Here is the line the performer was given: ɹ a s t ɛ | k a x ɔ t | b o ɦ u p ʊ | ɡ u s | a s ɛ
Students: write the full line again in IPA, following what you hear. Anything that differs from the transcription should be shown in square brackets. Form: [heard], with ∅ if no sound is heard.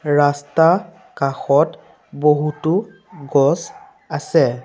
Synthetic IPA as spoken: ɹ a s t [a] | k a x ɔ t | b o ɦ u [t] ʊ | ɡ [ɔ] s | a s ɛ